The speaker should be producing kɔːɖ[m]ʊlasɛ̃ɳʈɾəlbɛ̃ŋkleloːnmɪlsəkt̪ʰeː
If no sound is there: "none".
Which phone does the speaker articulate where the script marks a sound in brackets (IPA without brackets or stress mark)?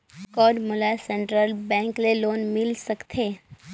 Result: m